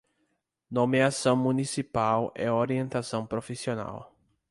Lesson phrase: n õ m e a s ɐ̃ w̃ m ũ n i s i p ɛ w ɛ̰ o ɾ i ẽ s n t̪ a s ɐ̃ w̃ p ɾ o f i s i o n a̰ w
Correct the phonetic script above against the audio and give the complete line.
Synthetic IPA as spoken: n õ m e a s ɐ̃ w̃ m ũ n i s i p a w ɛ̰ o ɾ i ẽ n t̪ a s ɐ̃ w̃ p ɾ o f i s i o n a̰ w